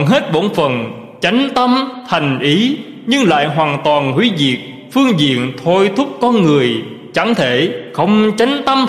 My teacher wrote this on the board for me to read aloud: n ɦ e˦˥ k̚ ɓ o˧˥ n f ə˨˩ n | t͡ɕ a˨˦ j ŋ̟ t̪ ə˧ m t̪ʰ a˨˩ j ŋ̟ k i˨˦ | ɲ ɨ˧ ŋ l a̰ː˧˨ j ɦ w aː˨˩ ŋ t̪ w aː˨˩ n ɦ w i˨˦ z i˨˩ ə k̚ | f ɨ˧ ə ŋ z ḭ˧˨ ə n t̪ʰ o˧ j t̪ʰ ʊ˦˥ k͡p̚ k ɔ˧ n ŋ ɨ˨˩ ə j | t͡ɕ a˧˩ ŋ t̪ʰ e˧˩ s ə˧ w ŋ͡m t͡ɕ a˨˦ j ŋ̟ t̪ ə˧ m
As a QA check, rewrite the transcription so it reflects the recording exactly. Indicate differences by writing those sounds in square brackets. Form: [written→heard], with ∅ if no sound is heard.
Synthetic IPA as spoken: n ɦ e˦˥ [k̚→t̚] ɓ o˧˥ n f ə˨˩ n | t͡ɕ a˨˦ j ŋ̟ t̪ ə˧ m t̪ʰ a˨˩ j ŋ̟ [k→ʔ] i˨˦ | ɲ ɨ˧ ŋ l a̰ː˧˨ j ɦ w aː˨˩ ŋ t̪ w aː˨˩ n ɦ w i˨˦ z i˨˩ ə k̚ | f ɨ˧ ə ŋ z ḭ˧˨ ə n t̪ʰ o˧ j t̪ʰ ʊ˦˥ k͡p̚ k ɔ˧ n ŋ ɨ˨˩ ə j | t͡ɕ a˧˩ ŋ t̪ʰ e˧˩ [s→x] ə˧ w ŋ͡m t͡ɕ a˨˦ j ŋ̟ t̪ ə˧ m